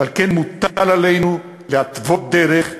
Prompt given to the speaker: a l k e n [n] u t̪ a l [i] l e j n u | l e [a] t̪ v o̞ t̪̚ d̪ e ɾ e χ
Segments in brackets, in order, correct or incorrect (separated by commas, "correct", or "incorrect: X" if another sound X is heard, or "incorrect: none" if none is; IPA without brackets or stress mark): incorrect: m, incorrect: a, correct